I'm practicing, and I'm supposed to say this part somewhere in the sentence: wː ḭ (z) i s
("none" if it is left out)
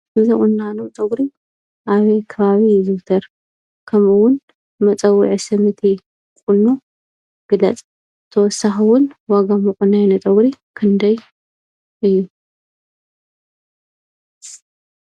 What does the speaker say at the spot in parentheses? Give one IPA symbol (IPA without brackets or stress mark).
ʕ